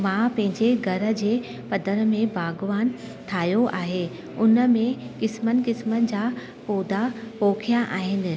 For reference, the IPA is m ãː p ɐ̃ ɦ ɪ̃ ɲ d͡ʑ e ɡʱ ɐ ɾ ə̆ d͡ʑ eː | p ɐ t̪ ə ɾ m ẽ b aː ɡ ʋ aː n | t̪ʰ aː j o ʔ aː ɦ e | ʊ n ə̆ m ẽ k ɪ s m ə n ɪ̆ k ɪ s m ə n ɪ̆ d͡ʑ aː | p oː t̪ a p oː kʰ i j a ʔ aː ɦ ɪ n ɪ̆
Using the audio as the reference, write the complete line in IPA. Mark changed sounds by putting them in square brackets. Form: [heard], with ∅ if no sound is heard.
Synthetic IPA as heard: m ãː p ɐ̃ ɦ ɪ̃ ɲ d͡ʑ e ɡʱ ɐ ɾ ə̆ d͡ʑ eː | p ɐ [d̪] ə ɾ m ẽ b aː ɡ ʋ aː n | t̪ʰ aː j o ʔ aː ɦ e | ʊ n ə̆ m ẽ k ɪ s m ə n ɪ̆ k ɪ s m ə n ɪ̆ d͡ʑ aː | p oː [d̪] a p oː kʰ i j a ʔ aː ɦ ɪ n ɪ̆